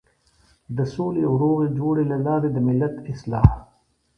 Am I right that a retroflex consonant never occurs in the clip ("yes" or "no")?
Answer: no